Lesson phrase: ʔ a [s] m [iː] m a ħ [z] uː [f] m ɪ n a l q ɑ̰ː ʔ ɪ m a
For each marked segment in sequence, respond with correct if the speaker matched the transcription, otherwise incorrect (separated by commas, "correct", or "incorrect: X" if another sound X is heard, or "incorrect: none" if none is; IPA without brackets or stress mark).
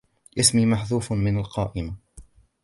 correct, correct, incorrect: ð, correct